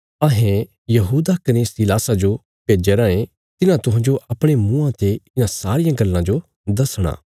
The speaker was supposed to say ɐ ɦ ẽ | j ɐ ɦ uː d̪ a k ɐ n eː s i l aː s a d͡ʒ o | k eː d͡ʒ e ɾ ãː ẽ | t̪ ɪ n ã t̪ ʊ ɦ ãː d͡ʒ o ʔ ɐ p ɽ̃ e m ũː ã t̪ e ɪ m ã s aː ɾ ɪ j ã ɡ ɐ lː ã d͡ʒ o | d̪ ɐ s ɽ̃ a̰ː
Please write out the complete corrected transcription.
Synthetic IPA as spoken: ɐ ɦ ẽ | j ɐ ɦ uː d̪ a k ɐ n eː s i l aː s a d͡ʒ o | p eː d͡ʒ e ɾ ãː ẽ | t̪ ɪ n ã t̪ ʊ ɦ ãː d͡ʒ o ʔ ɐ p ɽ̃ e m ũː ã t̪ e ɪ n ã s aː ɾ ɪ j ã ɡ ɐ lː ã d͡ʒ o | d̪ ɐ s ɽ̃ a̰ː